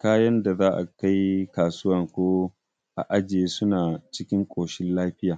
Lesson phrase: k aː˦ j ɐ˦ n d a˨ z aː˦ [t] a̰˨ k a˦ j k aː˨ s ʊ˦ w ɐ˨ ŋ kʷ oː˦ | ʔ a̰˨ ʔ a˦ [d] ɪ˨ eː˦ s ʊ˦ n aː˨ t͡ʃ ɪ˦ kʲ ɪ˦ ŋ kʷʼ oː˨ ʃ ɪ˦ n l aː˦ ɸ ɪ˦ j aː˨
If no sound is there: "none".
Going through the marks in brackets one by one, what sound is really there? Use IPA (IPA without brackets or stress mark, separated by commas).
ʔ, d͡ʒ